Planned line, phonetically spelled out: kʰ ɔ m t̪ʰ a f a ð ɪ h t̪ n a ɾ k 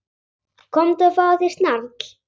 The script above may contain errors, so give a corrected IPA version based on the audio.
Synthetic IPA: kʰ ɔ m t̪ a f a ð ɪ s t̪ n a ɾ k

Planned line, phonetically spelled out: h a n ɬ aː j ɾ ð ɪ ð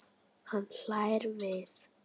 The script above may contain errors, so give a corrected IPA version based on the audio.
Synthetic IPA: h a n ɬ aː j ɾ v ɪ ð

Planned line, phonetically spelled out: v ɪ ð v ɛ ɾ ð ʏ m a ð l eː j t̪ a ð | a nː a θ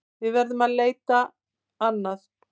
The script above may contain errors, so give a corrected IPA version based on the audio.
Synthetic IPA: v ɪ ð v ɛ ɾ ð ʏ m a ð l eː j t̪ a | a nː a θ

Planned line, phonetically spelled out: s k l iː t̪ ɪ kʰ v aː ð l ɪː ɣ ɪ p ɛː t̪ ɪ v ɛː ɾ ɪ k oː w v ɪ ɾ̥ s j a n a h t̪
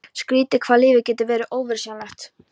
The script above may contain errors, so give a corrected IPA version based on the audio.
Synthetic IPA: s k ɾ iː t̪ ɪ kʰ v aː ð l ɪː v ɪ c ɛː t̪ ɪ v ɛː ɾ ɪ ʔ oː w v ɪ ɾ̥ s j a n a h t̪

